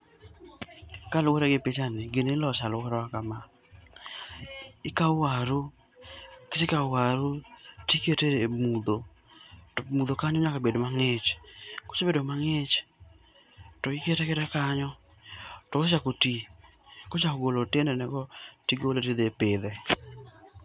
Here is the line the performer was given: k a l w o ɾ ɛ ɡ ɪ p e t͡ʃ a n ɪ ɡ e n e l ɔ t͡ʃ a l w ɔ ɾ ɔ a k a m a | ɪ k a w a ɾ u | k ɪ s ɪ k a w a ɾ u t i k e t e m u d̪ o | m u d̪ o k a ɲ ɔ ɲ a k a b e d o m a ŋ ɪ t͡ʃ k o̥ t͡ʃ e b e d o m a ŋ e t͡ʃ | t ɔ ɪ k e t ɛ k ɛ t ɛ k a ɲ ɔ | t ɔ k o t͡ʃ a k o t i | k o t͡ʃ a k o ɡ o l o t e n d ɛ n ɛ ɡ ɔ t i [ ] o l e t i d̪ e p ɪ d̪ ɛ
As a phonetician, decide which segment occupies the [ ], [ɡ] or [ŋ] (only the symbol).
ɡ